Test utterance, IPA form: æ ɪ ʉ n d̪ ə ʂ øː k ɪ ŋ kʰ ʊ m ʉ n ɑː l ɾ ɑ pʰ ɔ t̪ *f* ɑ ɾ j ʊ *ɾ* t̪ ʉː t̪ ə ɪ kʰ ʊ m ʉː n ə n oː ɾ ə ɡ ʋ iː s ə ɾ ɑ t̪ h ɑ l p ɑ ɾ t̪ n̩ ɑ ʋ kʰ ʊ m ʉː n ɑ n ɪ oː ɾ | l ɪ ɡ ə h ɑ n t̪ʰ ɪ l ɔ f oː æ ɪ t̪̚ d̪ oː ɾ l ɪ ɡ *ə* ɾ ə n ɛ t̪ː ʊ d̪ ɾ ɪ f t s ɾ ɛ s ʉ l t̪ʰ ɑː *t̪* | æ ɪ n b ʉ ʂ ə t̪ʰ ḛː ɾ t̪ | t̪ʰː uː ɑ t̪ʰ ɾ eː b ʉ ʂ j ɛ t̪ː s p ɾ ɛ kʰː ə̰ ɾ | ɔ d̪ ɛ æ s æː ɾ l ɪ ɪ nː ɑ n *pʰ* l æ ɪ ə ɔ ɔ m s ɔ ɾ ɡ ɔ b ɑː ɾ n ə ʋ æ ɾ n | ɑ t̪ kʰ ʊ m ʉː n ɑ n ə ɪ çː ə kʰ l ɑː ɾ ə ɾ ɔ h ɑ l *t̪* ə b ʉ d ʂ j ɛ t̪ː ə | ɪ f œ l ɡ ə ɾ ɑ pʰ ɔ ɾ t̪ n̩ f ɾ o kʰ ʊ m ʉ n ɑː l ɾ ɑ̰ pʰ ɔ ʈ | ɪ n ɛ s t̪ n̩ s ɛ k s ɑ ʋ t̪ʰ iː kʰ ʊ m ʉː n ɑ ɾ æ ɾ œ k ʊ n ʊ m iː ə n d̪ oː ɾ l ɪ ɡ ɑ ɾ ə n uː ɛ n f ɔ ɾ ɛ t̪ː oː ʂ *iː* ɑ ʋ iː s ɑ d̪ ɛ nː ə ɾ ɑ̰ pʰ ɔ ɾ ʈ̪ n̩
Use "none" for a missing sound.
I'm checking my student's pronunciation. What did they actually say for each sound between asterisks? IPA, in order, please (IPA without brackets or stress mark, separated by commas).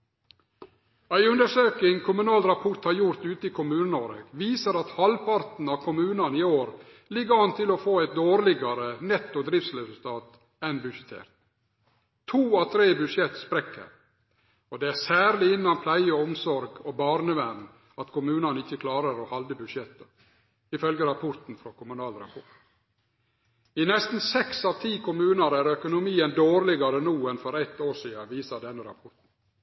h, ɾ, ɑ, t̪, pʰ, d̪, iː